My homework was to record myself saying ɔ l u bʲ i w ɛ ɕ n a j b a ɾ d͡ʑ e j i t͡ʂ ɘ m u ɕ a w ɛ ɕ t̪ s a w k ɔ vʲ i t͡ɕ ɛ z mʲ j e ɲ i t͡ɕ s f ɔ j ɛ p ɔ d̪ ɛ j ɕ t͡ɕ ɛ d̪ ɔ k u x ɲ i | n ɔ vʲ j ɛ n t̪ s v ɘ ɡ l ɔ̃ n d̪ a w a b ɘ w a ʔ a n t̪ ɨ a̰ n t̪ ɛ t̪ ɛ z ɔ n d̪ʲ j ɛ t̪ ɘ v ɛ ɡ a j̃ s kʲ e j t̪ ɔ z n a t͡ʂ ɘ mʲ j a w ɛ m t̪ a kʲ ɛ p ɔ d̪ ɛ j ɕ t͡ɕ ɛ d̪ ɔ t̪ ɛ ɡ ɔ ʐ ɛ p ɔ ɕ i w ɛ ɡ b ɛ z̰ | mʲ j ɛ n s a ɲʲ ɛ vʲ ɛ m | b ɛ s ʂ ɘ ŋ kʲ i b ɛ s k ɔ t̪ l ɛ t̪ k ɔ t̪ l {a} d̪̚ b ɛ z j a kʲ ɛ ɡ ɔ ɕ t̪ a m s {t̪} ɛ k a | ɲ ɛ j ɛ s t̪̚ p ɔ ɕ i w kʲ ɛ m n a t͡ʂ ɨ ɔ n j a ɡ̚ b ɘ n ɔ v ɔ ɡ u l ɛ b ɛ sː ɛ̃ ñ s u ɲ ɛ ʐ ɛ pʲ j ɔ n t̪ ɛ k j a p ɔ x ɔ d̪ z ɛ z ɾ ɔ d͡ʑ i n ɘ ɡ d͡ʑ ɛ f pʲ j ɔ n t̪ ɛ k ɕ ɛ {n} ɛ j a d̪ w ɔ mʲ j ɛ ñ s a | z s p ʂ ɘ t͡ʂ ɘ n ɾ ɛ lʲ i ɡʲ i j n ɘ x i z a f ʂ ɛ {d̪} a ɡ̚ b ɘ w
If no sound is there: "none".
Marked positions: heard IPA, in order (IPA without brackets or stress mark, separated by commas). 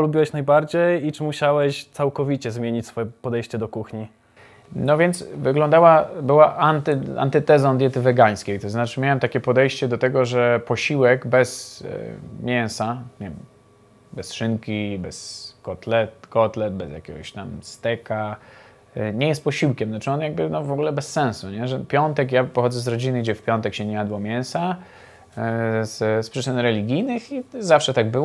ɛ, t̪, ɲ, t̪